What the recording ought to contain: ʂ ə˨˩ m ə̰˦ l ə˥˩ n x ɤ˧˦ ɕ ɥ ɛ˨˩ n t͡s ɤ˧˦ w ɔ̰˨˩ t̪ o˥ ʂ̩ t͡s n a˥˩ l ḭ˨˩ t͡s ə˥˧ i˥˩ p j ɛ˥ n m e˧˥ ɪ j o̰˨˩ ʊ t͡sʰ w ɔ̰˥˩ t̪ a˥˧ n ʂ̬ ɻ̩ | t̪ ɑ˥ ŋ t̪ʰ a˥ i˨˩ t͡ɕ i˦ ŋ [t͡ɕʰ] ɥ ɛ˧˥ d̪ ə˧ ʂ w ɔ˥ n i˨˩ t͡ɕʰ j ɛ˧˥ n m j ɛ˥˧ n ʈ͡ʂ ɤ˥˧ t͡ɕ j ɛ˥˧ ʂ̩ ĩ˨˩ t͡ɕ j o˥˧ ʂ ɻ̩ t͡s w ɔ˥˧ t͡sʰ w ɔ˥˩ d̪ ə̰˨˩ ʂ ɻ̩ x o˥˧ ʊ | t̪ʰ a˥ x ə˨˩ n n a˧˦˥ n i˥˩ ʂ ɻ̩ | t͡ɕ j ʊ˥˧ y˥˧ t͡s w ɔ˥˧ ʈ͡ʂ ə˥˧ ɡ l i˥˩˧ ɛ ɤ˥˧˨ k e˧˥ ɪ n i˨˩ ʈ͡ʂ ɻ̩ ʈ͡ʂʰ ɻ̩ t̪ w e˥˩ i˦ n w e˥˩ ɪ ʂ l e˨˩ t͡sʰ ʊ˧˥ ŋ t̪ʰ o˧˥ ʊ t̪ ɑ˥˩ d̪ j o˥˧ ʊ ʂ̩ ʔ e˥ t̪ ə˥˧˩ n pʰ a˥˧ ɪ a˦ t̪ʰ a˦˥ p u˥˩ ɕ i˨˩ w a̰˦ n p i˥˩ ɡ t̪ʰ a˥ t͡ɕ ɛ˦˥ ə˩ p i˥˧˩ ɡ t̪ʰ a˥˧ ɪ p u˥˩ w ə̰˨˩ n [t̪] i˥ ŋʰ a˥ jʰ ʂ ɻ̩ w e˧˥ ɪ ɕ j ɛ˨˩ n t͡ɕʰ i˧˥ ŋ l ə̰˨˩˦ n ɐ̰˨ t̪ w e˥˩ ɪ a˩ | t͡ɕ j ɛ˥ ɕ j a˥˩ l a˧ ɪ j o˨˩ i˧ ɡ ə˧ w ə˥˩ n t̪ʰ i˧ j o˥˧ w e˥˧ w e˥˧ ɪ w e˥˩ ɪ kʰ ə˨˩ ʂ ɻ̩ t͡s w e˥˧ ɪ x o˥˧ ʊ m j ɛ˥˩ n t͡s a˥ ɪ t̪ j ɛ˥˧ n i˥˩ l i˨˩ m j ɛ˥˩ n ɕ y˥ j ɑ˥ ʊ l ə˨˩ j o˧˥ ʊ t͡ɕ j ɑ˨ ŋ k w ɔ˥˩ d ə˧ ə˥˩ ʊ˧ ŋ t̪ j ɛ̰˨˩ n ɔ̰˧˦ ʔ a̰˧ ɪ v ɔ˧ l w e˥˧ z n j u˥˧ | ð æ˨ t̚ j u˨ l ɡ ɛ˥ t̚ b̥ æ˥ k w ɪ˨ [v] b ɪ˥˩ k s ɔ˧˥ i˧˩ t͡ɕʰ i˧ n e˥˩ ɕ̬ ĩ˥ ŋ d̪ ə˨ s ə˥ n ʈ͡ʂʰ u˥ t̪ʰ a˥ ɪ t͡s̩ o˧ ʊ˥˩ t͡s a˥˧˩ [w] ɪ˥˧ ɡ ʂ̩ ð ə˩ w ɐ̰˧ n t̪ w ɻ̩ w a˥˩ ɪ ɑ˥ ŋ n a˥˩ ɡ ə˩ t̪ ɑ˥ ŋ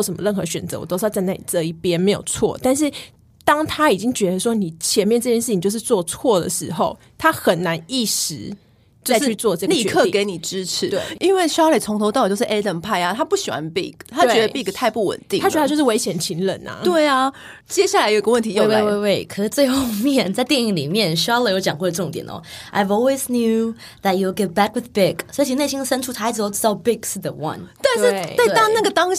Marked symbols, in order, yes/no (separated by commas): no, yes, no, no